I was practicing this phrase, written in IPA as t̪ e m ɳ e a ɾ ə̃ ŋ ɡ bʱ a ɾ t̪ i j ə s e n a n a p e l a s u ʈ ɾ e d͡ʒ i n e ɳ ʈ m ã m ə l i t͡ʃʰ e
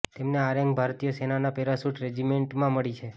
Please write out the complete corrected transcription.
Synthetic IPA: t̪ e m n e a ɾ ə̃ ŋ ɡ bʱ a ɾ t̪ i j ə s e n a n a p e ɾ a s u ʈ ɾ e d͡ʒ i m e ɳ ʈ m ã m ə ɭ i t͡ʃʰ e

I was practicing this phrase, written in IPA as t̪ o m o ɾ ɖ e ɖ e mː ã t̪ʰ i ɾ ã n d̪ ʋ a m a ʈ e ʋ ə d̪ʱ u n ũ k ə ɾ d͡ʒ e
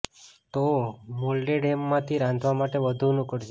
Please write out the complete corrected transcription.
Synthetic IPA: t̪ o m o l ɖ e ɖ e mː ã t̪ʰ i ɾ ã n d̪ ʋ a m a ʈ e ʋ ə d̪ʱ u n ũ k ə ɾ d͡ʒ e

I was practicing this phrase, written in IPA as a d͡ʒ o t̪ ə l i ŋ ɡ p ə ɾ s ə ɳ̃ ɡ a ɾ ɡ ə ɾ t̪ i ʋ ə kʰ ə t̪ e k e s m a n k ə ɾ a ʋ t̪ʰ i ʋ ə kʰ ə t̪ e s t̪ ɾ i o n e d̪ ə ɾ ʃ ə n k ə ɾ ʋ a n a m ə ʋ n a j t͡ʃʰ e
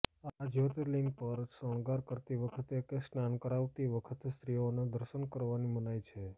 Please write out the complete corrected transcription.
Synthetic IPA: a d͡ʒ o t̪ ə l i ŋ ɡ p ə ɾ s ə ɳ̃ ɡ a ɾ k ə ɾ t̪ i ʋ ə kʰ ə t̪ e k e s n a n k ə ɾ a ʋ t̪ i ʋ ə kʰ ə t̪ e s t̪ ɾ i o n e d̪ ə ɾ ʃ ə n k ə ɾ ʋ a n i m ə n a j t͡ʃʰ e

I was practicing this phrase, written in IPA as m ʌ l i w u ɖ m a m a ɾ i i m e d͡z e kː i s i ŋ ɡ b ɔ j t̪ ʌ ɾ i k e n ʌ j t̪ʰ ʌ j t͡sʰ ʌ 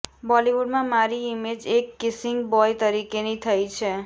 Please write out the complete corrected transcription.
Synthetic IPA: b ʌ l i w u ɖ m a m a ɾ i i m e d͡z e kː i s i ŋ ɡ b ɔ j t̪ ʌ ɾ i k e n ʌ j t̪ʰ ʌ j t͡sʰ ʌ

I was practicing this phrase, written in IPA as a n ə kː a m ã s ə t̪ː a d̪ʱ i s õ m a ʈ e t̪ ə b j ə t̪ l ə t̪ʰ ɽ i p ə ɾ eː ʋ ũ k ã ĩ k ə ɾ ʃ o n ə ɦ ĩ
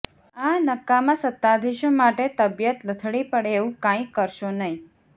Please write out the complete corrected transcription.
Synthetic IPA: a n ə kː a m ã s ə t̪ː a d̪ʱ i ʃ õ m a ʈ e t̪ ə b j ə t̪ l ə t̪ʰ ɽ i p ə ɽ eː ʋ ũ k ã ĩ k ə ɾ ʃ o n ə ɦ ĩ

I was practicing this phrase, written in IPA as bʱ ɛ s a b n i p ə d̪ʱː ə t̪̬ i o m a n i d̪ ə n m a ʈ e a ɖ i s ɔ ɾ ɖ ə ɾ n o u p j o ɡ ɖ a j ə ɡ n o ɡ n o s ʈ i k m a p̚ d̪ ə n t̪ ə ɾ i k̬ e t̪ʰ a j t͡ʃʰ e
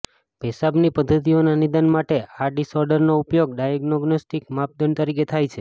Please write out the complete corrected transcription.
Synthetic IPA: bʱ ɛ s a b n i p ə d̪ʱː ə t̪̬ i o n a n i d̪ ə n m a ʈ e a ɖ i s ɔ ɾ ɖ ə ɾ n o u p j o ɡ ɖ a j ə ɡ n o ɡ n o s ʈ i k m a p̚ d̪ ə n t̪ ə ɾ i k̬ e t̪ʰ a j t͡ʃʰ e

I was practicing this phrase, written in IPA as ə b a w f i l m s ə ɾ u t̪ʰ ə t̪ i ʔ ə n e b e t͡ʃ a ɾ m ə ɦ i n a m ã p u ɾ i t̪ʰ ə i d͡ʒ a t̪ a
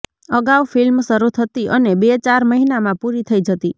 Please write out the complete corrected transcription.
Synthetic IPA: ə ɡ a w f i l m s ə ɾ u t̪ʰ ə t̪ i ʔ ə n e b e t͡ʃ a ɾ m ə ɦ i n a m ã p u ɾ i t̪ʰ ə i d͡ʒ ə t̪ i

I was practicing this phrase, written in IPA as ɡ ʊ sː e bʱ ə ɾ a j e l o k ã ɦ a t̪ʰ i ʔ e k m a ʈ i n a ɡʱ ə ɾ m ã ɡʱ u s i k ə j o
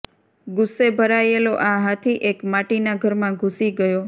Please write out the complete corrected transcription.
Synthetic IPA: ɡ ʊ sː e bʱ ə ɾ a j e l o ʔ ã ɦ a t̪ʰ i ʔ e k m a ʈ i n a ɡʱ ə ɾ m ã ɡʱ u s i ɡ ə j o

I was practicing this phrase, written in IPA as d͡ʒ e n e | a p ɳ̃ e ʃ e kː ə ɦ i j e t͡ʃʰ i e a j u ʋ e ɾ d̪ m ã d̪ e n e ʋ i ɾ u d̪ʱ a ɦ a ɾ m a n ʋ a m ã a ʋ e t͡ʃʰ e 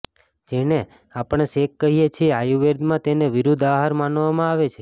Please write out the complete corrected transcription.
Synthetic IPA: d͡ʒ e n e | a p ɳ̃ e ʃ e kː ə ɦ i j e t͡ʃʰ i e a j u ʋ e ɾ d̪ m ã t̪ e n e ʋ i ɾ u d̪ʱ a ɦ a ɾ m a n ʋ a m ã a ʋ e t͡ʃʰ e

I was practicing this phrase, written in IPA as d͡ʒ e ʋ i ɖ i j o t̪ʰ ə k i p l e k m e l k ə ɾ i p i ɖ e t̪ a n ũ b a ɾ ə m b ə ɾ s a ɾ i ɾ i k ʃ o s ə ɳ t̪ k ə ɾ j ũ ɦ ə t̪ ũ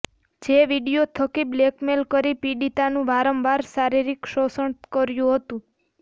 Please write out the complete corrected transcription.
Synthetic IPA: d͡ʒ e ʋ i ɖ i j o t̪ʰ ə k i b l e k m e l k ə ɾ i p i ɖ i t̪ a n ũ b a ɾ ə m b a ɾ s a ɾ i ɾ i k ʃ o s ə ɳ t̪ k ə ɾ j ũ ɦ ə t̪ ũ

